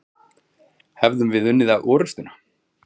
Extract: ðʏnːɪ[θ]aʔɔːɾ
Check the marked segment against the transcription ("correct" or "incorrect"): incorrect